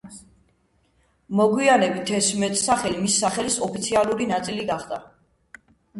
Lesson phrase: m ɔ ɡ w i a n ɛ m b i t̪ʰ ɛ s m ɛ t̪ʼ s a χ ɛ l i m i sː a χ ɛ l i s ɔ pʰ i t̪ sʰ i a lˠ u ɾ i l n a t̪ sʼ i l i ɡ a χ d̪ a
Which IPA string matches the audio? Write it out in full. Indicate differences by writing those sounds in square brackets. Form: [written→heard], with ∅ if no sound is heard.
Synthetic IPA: m ɔ ɡ w i a n ɛ [m→∅] b i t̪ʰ ɛ s m ɛ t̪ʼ s a χ ɛ l i m i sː a χ ɛ l i s ɔ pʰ i t̪ sʰ i a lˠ u ɾ i [l→∅] n a t̪ sʼ i l i ɡ a χ d̪ a